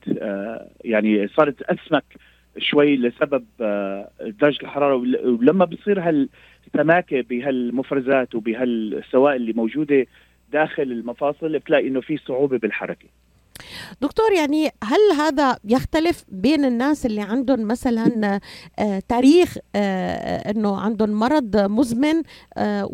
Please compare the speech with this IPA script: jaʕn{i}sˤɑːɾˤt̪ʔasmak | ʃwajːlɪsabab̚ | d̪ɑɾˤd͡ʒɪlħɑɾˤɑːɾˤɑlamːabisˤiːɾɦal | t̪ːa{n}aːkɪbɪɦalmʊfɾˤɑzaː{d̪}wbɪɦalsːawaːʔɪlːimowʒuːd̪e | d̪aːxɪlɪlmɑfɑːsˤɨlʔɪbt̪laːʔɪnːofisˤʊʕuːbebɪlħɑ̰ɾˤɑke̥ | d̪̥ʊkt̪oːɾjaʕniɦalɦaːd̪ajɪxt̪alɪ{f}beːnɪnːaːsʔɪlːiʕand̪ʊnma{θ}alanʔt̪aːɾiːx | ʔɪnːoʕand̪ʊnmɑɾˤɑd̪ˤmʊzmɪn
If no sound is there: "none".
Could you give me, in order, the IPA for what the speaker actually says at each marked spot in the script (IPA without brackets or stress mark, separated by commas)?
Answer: i, m, t̪, f, s